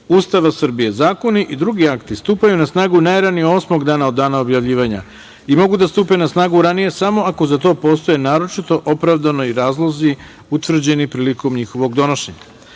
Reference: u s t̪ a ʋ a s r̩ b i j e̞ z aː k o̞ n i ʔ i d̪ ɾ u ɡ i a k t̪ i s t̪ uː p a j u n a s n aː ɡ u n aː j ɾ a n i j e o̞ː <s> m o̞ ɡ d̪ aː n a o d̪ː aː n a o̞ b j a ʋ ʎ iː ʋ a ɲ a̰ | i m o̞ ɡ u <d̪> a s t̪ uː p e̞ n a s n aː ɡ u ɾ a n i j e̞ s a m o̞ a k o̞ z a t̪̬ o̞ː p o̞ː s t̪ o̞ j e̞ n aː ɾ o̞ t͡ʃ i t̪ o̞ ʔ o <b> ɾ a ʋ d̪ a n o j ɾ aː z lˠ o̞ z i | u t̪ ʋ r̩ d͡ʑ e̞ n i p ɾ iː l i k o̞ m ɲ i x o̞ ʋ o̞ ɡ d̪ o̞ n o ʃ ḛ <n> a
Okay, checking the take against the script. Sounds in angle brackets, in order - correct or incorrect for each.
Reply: correct, correct, incorrect, incorrect

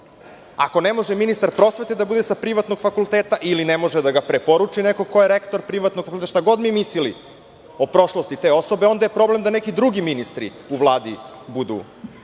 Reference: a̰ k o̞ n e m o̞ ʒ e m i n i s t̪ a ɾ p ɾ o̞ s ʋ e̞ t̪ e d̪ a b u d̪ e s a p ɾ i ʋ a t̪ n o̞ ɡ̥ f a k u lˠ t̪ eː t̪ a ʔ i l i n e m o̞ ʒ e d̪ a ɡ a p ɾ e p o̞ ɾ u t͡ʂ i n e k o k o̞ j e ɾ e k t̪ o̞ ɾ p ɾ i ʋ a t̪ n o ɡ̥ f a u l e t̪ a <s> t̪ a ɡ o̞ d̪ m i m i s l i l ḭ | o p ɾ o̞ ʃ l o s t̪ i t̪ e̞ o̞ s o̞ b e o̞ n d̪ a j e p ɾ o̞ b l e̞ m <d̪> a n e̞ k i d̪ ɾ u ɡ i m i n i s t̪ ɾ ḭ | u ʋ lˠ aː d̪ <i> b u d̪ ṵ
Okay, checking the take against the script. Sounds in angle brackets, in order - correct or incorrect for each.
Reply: incorrect, correct, correct

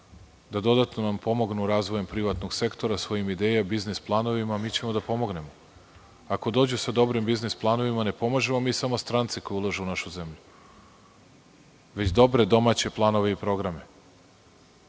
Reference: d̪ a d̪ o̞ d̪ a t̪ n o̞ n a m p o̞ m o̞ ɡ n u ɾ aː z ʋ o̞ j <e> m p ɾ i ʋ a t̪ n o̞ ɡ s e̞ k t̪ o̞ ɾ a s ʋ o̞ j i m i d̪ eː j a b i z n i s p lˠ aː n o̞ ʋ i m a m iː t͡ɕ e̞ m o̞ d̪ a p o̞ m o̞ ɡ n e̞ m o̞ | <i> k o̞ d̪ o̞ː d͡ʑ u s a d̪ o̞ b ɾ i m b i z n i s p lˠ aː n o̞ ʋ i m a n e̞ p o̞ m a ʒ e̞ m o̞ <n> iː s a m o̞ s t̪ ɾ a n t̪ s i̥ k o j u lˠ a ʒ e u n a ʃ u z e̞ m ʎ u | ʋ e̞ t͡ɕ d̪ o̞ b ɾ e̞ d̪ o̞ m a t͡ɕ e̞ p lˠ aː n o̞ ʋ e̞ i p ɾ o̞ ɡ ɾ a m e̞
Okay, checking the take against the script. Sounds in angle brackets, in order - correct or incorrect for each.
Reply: correct, incorrect, incorrect

